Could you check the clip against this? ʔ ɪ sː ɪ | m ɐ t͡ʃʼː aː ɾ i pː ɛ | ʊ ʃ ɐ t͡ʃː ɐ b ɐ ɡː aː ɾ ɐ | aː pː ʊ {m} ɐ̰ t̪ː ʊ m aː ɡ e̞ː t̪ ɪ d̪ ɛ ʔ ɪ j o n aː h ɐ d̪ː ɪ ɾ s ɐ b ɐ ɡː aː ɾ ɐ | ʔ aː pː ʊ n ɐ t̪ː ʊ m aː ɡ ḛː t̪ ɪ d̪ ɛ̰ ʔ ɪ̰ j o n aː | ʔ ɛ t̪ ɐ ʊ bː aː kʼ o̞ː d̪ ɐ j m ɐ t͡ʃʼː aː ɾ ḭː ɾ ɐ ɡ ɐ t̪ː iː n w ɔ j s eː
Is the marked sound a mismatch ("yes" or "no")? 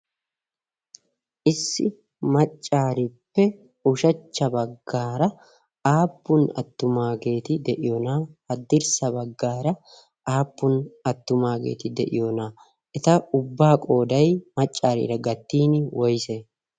yes